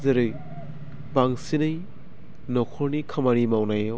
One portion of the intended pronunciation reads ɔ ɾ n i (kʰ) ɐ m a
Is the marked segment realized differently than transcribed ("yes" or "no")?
no